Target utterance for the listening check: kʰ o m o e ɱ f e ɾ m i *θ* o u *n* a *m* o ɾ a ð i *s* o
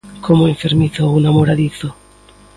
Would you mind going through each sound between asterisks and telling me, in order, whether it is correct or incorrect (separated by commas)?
correct, correct, correct, incorrect